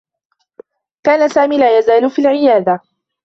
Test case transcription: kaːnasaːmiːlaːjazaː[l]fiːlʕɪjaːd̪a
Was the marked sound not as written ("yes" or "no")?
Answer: no